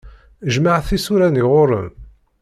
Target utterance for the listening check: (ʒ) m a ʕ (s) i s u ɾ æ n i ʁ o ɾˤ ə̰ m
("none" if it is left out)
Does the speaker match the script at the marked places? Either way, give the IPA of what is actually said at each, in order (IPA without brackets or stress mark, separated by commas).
ʒ, θ